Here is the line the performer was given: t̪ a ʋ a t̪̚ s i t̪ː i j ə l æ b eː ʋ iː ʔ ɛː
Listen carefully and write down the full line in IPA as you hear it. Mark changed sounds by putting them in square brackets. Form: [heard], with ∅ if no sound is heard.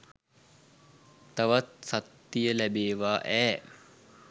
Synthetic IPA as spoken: t̪ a ʋ a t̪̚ s [a] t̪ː i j ə l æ b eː ʋ [aː] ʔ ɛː